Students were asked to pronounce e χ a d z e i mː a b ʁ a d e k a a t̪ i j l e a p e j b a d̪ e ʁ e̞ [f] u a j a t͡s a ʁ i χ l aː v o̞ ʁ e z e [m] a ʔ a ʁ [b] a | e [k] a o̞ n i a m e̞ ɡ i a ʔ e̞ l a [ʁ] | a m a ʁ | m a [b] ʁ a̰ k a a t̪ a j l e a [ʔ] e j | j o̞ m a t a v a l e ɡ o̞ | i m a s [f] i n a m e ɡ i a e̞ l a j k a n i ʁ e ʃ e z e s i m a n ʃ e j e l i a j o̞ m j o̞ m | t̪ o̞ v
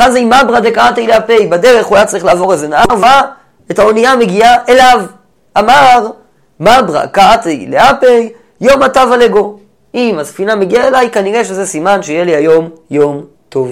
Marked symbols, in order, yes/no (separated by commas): no, no, no, no, no, yes, no, yes